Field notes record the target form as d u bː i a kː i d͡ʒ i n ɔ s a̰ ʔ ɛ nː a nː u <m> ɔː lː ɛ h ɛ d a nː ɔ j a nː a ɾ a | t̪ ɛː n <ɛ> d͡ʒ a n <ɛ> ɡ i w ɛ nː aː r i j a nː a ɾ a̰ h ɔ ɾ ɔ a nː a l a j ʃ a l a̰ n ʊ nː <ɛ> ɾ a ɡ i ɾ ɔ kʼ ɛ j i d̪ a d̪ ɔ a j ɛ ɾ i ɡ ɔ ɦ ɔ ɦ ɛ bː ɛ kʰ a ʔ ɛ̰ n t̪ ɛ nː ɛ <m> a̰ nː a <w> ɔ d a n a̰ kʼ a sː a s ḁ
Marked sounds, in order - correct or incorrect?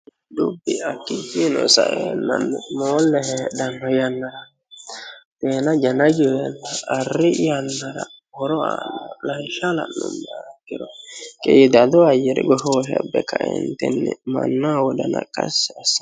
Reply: correct, incorrect, incorrect, incorrect, correct, correct

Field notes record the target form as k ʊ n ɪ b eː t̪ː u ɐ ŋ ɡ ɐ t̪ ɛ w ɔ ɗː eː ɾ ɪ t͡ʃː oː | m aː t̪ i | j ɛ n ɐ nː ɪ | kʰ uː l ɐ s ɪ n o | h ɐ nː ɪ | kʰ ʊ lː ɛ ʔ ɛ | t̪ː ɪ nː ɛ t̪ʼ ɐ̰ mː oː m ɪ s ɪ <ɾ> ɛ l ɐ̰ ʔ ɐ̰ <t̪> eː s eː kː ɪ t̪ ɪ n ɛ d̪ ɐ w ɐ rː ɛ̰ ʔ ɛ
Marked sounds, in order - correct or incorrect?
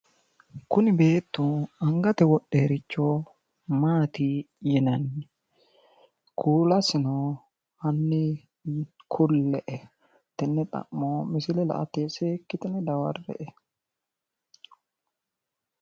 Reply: incorrect, correct

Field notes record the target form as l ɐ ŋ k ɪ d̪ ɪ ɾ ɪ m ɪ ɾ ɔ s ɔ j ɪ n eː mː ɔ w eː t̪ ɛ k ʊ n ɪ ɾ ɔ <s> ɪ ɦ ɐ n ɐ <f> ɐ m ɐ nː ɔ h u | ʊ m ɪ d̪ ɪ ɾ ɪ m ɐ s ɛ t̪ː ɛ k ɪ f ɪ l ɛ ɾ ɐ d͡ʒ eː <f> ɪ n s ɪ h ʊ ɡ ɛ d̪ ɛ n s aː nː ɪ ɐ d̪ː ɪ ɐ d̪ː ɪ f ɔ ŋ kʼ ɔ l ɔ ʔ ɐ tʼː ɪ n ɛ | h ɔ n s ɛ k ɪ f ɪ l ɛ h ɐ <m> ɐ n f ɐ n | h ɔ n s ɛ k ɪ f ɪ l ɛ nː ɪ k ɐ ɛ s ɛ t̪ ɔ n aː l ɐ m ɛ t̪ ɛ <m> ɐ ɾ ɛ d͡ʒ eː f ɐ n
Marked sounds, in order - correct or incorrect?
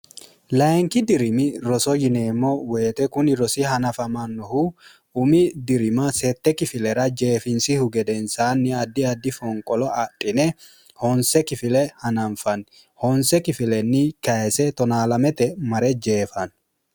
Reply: correct, correct, correct, incorrect, correct

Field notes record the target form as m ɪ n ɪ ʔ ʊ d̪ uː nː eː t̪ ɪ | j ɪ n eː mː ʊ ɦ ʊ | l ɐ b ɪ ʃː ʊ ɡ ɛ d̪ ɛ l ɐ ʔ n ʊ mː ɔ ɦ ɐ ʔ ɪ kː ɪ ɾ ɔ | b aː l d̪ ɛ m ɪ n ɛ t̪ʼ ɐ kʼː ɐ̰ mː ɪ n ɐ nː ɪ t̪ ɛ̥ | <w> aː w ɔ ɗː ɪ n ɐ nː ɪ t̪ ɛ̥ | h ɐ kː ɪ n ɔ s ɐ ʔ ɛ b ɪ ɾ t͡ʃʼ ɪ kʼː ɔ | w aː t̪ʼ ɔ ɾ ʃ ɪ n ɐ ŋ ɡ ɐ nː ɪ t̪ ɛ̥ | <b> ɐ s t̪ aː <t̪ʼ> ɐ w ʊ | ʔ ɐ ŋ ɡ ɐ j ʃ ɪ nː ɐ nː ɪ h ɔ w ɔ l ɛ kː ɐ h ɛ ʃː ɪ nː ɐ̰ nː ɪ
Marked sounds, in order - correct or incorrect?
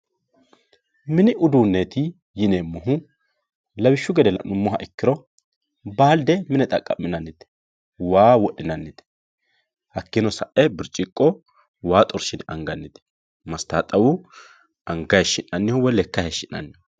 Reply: correct, incorrect, correct

